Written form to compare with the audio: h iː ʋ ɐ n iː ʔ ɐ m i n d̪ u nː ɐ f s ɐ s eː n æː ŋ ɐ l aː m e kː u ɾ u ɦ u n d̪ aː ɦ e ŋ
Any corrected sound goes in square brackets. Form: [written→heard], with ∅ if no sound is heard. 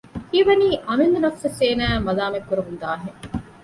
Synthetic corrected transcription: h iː ʋ ɐ n iː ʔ ɐ m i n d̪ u [nː→n] ɐ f s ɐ s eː n æː [ŋ→m] ɐ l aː m e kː u ɾ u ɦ u n d̪ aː ɦ e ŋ

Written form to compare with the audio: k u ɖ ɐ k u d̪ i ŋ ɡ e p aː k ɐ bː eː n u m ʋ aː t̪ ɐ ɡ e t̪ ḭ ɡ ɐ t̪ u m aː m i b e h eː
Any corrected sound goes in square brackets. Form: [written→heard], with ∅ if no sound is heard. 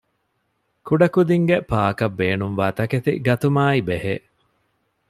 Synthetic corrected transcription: k u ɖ ɐ k u d̪ i ŋ ɡ e p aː k ɐ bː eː n u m ʋ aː t̪ ɐ [ɡ→k] e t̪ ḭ ɡ ɐ t̪ u m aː [m→∅] i b e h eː

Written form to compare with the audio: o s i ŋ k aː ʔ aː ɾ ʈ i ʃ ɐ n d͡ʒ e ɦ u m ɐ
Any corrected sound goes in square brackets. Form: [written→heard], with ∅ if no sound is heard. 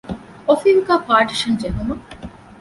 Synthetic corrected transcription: o [s→f] i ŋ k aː [ʔ→p] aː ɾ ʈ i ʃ ɐ n d͡ʒ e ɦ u m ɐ

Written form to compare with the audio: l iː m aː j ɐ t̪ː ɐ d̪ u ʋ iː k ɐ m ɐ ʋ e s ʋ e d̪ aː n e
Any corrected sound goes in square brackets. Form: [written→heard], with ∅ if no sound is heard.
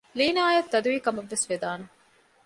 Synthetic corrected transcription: l iː [m→n] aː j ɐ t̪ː ɐ d̪ u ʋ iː k ɐ m ɐ [ʋ→ʋː] e s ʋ e d̪ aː n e

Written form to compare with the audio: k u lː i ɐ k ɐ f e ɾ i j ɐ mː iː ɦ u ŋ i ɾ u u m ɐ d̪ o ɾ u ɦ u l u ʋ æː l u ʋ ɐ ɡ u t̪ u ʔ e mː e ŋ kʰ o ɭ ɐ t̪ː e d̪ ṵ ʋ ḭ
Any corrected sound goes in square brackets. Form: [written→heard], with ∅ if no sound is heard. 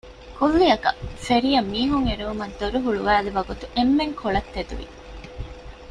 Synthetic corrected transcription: k u lː i ɐ k ɐ f e ɾ i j ɐ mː iː ɦ u ŋ [i→e] ɾ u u m ɐ d̪ o ɾ u ɦ u [l→ɭ] u ʋ æː l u ʋ ɐ ɡ u t̪ u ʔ e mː e ŋ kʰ o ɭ ɐ t̪ː e d̪ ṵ ʋ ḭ

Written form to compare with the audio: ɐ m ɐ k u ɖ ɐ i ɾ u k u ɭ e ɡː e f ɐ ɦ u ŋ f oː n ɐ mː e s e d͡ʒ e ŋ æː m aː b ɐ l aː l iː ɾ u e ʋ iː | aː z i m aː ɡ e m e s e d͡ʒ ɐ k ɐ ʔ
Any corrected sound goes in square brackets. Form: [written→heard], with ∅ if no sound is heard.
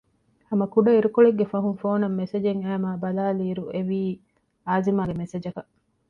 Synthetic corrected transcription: ɐ m ɐ k u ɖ ɐ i ɾ u k [u→o] ɭ e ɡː e f ɐ ɦ u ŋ f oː n ɐ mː e s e d͡ʒ e ŋ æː m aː b ɐ l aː l iː ɾ u e ʋ iː | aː z i m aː ɡ e m e s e d͡ʒ ɐ k ɐ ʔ

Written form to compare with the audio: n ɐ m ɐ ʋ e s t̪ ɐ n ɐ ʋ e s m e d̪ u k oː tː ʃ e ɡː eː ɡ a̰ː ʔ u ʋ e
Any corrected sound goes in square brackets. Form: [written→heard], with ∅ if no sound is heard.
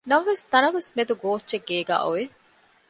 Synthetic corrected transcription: n ɐ m ɐ ʋ e s t̪ ɐ n ɐ ʋ e s m e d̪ u [k→ɡ] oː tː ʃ e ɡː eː ɡ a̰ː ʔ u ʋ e

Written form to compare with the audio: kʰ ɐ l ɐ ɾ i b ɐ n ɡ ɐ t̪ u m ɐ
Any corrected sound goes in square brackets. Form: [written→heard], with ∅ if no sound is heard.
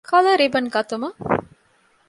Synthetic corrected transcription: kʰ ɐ l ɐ ɾ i b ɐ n ɡ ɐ t̪ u m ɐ

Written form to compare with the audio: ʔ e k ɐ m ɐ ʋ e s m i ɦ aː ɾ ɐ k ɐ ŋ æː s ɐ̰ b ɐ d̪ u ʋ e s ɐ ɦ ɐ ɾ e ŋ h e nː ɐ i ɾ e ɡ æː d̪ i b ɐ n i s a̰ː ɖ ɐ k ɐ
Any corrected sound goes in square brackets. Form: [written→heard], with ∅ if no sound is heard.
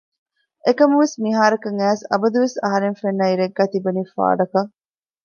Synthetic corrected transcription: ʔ e k ɐ m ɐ ʋ e s m i ɦ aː ɾ ɐ k ɐ ŋ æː s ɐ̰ b ɐ d̪ u ʋ e s ɐ ɦ ɐ ɾ e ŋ [h→f] e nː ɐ i ɾ e [ɡ→ɡː] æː [d̪→t̪] i b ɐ n i [s→f] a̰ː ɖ ɐ k ɐ

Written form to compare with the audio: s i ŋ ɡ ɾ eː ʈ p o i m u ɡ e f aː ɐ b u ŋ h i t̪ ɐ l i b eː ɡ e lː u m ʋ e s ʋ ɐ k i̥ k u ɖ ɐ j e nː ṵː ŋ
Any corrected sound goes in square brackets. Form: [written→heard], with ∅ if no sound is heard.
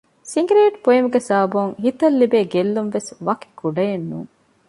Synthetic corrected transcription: s i ŋ ɡ ɾ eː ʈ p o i m u ɡ e [f→s] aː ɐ b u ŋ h i t̪ ɐ [l→lː] i b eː ɡ e lː u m ʋ e s ʋ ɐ k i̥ k u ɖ ɐ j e nː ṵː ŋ

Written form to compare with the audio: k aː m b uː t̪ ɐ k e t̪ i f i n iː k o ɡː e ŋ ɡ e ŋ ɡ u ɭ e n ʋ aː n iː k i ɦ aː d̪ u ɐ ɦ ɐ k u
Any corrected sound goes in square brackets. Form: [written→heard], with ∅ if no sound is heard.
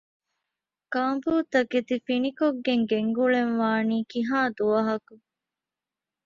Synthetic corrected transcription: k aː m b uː t̪ ɐ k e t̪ i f i n [iː→i] k o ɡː e ŋ ɡ e ŋ ɡ u ɭ e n ʋ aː n iː k i ɦ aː d̪ u ɐ ɦ ɐ k u

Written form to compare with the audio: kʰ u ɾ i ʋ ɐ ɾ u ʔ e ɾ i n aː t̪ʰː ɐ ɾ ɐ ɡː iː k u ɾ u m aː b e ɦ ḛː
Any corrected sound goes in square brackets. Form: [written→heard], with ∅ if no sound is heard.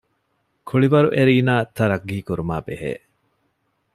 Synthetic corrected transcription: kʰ u [ɾ→ɭ] i ʋ ɐ ɾ u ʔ e ɾ [i→iː] n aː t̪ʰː ɐ ɾ ɐ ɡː iː k u ɾ u m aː b e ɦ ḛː

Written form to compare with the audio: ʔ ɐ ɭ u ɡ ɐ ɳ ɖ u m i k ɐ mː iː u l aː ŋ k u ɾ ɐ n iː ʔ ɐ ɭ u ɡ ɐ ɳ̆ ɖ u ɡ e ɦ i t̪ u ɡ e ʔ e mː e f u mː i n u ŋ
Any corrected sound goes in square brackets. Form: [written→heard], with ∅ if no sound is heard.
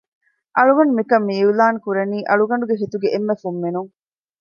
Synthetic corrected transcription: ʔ ɐ ɭ u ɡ ɐ ɳ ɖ u m i k ɐ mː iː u l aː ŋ k u ɾ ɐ n iː ʔ ɐ ɭ u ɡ ɐ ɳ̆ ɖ u ɡ e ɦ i t̪ u ɡ e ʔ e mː e f u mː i n u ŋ

